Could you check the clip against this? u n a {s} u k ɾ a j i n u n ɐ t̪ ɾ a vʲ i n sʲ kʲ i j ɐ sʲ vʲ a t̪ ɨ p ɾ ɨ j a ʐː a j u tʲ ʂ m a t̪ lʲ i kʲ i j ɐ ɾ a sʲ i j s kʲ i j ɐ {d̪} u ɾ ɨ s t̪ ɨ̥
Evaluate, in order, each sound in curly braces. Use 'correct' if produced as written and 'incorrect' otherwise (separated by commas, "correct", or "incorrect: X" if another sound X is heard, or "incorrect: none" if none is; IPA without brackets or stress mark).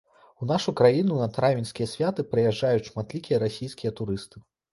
incorrect: ʂ, incorrect: t̪